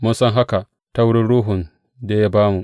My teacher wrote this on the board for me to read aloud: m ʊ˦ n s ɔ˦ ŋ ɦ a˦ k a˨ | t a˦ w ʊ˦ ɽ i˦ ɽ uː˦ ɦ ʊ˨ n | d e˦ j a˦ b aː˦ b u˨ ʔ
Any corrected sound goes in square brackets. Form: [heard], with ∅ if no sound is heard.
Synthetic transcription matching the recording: m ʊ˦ n s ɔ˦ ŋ ɦ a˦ k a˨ | t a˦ w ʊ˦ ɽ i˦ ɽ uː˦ ɦ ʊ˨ n | d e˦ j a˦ b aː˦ [m] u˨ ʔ

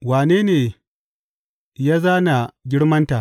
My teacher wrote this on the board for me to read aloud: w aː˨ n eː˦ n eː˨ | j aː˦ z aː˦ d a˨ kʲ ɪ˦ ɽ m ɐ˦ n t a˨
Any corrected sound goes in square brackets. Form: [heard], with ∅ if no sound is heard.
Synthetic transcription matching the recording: w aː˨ n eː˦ n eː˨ | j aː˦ z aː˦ [n] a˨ [ɡʲ] ɪ˦ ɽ m ɐ˦ n t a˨

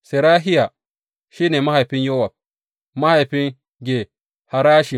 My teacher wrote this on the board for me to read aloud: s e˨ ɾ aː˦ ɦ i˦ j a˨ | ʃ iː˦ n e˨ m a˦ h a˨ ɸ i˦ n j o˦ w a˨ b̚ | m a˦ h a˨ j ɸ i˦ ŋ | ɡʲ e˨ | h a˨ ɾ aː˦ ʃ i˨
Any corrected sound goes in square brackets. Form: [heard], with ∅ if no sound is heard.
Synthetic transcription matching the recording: s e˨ ɾ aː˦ ɦ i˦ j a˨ | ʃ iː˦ n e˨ m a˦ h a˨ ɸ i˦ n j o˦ w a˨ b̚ | m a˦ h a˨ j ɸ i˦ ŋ | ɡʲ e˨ | h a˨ ɾ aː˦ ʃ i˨

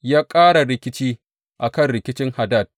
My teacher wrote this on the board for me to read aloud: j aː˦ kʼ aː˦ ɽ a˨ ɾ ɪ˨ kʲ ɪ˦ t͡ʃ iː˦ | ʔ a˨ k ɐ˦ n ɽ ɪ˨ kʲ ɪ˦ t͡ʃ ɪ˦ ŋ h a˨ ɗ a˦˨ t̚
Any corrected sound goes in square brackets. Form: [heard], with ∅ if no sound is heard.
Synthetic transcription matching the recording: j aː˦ kʼ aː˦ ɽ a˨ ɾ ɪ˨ kʲ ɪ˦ t͡ʃ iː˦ | ʔ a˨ k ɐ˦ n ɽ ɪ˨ kʲ ɪ˦ t͡ʃ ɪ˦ ŋ h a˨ [d] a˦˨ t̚

